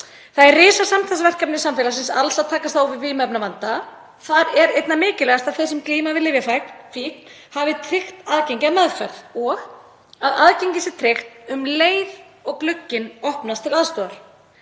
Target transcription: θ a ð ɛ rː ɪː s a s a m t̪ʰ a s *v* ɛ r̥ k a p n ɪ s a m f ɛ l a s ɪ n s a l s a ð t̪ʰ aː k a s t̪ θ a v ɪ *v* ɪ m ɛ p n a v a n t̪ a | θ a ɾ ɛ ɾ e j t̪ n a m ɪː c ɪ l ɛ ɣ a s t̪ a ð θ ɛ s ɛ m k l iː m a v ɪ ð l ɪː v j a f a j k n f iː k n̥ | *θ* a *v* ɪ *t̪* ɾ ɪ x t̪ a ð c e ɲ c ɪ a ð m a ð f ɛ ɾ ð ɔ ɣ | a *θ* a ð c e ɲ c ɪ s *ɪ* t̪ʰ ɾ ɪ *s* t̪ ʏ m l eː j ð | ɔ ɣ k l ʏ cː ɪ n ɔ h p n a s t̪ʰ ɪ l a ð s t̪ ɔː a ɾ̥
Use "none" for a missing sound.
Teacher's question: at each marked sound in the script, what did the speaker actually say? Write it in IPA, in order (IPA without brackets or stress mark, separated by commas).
v, v, h, v, t̪ʰ, ð, ɪ, x